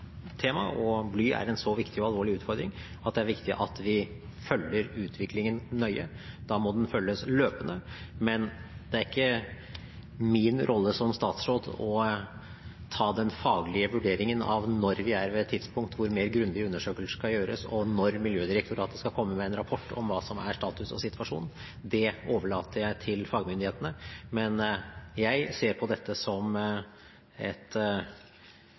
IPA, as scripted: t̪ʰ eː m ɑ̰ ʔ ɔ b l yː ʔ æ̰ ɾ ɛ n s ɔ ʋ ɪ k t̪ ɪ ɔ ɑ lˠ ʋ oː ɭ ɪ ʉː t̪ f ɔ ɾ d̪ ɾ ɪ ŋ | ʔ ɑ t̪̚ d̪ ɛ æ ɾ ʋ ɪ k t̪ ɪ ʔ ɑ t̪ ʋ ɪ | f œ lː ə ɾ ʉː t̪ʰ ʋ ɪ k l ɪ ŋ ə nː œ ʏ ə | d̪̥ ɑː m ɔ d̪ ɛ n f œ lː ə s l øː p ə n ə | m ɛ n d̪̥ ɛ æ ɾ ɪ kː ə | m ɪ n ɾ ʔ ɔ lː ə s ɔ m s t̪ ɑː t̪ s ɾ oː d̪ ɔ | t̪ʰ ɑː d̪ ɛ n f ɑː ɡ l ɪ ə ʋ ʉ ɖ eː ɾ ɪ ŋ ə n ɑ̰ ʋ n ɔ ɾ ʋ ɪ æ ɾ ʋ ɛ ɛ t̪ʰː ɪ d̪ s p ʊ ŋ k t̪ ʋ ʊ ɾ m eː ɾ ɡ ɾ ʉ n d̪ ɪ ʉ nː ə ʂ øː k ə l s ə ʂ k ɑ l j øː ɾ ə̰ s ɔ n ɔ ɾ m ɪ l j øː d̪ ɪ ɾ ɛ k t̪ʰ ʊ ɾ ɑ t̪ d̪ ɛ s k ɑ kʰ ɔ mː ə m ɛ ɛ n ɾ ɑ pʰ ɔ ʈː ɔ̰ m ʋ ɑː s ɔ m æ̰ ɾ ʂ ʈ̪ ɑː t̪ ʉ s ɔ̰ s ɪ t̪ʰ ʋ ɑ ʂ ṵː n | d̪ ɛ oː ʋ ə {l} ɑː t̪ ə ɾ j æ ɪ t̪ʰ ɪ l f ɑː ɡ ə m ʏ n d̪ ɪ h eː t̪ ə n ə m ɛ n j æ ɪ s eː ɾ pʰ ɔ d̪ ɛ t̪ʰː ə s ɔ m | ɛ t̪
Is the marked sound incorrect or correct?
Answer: incorrect: ɭ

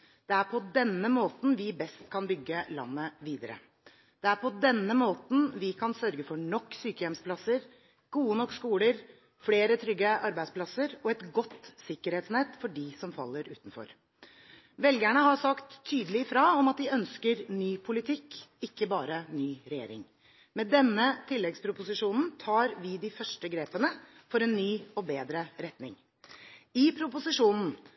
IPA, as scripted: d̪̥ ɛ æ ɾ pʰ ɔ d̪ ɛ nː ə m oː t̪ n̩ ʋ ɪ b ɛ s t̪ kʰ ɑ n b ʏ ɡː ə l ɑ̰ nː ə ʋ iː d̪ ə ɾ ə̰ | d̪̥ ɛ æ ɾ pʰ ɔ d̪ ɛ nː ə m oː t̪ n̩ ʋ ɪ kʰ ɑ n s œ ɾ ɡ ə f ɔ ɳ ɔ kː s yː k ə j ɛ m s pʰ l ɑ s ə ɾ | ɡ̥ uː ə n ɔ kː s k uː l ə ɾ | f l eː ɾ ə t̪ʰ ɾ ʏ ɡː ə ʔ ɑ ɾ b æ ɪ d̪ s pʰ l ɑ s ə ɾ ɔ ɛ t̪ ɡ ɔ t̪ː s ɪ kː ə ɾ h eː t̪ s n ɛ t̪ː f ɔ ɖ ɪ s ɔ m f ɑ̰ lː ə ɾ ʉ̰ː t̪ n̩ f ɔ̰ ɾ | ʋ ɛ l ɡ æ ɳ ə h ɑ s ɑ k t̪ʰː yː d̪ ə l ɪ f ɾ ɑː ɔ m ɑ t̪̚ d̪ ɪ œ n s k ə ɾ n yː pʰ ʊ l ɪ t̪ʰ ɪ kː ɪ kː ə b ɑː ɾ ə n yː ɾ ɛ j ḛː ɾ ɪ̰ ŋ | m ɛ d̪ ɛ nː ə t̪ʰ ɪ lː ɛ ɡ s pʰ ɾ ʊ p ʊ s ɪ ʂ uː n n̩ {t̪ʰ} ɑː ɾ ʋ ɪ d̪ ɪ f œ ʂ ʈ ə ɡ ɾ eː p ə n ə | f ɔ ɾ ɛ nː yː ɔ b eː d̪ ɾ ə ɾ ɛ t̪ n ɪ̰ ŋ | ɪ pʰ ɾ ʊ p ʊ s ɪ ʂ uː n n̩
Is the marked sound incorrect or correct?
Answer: correct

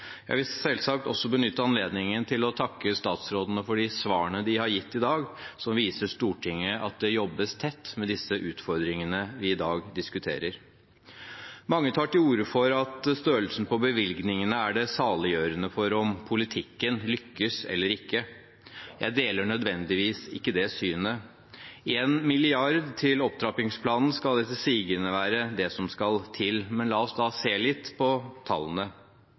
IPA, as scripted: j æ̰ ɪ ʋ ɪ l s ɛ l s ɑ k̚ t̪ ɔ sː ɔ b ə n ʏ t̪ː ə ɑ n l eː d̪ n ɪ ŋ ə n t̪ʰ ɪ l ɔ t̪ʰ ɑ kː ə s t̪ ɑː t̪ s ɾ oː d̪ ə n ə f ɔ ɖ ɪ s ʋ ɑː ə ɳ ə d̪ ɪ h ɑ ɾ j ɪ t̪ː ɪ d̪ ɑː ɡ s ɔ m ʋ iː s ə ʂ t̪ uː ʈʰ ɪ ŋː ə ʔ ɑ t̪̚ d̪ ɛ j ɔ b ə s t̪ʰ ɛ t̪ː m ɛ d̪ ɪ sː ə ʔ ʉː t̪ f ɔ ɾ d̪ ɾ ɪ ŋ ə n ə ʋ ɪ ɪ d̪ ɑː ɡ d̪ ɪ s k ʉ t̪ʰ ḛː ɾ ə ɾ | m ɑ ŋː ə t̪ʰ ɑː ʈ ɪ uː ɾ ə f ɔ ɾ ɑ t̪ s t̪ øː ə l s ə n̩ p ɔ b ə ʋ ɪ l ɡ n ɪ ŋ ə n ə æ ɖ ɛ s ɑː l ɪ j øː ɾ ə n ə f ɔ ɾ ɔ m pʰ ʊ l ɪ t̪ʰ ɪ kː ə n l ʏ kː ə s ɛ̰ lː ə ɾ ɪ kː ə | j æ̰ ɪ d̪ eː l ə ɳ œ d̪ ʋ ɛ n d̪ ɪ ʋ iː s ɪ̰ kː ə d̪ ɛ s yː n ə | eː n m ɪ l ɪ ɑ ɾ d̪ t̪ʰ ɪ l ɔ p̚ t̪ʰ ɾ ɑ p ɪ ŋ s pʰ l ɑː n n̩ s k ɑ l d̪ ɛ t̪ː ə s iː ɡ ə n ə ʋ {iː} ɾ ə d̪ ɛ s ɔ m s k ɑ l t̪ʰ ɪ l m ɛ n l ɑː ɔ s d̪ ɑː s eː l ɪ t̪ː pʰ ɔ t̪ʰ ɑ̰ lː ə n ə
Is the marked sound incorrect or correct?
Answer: incorrect: æː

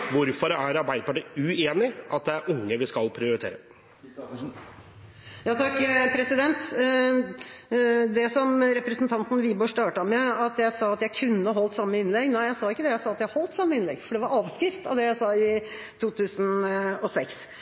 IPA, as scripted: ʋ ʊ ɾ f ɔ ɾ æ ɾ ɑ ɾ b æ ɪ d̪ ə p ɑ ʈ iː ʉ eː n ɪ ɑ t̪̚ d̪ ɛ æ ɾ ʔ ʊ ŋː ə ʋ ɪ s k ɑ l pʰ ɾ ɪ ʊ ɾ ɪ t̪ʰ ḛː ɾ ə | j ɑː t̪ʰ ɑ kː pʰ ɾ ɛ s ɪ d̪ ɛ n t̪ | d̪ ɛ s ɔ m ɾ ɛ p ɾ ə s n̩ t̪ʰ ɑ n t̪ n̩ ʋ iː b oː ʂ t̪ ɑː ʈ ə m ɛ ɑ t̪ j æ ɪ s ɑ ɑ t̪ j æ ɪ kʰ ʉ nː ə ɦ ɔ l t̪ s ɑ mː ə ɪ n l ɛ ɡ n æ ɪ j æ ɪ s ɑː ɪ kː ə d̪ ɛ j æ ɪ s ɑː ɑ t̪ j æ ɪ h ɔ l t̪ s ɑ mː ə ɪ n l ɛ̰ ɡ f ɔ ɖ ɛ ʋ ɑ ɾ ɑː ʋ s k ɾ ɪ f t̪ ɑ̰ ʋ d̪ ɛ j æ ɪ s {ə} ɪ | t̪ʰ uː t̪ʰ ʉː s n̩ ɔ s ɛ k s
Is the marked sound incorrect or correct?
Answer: incorrect: ɑ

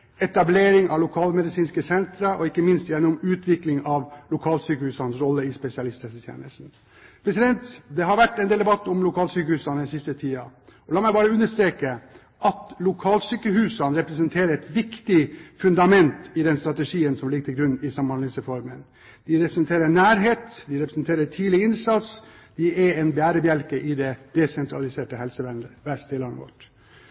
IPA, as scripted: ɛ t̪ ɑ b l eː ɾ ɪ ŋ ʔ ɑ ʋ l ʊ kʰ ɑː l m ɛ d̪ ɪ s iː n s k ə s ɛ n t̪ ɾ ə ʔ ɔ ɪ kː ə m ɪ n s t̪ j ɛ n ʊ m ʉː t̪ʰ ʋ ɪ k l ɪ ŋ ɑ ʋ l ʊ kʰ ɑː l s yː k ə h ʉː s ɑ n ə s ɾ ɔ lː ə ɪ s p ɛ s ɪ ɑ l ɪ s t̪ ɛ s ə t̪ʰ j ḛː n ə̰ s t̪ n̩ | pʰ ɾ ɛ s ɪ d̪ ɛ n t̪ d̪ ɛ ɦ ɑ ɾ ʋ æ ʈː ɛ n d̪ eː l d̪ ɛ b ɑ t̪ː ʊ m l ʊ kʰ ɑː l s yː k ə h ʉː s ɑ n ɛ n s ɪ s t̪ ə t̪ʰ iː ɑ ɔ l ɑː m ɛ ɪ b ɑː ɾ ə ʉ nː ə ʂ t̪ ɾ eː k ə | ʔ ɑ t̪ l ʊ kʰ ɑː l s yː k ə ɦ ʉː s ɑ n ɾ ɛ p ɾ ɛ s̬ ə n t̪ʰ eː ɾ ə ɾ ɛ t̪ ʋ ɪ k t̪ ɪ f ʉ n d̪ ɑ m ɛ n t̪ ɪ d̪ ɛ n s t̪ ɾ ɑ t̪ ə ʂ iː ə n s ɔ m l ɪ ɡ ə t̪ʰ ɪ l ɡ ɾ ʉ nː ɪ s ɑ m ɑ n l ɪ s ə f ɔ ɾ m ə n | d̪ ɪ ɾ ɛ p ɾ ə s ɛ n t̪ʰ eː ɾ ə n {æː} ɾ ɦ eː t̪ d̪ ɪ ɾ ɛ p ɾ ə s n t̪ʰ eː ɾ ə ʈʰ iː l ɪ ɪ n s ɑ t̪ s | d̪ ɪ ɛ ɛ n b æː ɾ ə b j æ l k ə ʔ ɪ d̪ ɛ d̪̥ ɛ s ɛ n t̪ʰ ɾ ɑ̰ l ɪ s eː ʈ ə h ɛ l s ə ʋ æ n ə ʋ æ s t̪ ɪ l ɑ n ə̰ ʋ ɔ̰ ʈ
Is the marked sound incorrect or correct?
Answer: correct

